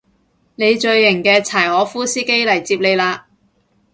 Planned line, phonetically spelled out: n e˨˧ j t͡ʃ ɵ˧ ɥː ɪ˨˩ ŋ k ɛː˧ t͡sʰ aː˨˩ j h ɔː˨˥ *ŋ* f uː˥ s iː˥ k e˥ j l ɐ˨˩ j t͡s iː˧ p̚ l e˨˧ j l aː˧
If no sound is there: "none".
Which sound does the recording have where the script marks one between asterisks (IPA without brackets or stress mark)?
none